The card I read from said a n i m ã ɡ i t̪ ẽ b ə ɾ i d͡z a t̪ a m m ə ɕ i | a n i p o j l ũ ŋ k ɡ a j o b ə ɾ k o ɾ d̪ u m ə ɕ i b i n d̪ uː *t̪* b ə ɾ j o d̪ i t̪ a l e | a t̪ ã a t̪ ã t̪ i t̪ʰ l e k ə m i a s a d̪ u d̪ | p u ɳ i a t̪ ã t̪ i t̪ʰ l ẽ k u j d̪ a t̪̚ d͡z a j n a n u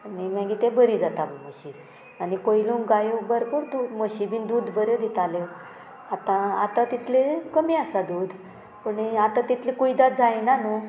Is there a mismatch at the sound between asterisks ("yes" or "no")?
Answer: yes